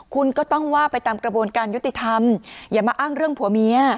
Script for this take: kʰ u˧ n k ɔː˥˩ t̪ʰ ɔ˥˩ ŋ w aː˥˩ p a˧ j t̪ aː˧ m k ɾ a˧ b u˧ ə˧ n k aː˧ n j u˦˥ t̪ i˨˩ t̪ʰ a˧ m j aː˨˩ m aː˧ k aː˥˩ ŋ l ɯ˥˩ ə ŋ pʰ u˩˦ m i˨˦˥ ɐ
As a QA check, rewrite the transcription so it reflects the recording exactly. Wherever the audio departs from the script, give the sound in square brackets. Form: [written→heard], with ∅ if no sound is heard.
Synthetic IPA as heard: kʰ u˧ n k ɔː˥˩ [t̪ʰ→t̪] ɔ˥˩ ŋ w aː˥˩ p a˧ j t̪ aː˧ m k ɾ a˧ b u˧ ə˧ n k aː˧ n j u˦˥ t̪ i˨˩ t̪ʰ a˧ m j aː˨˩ m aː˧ [k→ʔ] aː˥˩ ŋ [l→ɾ] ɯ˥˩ ə ŋ pʰ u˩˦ m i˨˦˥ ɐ